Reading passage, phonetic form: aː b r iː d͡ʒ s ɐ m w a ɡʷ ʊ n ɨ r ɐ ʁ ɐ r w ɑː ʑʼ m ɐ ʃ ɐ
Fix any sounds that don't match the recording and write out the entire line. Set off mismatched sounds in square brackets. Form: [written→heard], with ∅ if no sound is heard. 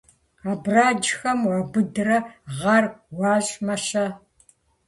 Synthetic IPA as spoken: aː b r [iː→aː] d͡ʒ [s→x] ɐ m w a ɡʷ ʊ [n→d] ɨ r ɐ ʁ ɐ r w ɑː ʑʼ m ɐ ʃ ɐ